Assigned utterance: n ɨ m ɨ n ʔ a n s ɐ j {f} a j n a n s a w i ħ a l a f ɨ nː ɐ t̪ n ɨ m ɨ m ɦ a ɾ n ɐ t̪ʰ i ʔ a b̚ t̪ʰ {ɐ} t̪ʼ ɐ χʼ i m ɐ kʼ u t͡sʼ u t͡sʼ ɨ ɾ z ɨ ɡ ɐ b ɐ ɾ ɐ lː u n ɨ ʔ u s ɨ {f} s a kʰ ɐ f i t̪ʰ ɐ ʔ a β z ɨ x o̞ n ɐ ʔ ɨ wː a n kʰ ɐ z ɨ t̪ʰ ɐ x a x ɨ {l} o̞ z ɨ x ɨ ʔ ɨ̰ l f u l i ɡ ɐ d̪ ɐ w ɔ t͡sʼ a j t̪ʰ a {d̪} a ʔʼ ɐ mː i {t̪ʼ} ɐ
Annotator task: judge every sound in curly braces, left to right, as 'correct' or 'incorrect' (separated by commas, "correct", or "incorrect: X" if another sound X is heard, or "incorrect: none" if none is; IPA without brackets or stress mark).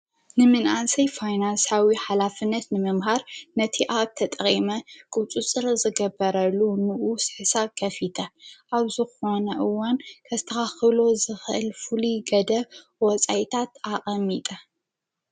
correct, correct, incorrect: ħ, correct, incorrect: t̪, correct